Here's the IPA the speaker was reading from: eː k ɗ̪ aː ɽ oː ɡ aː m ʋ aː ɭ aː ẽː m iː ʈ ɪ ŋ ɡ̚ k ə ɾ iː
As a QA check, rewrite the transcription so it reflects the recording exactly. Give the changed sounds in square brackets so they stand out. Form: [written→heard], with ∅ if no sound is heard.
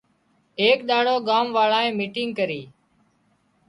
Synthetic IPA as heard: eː k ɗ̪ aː ɽ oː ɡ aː m ʋ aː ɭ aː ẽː m iː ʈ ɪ ŋ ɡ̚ k ə ɾ iː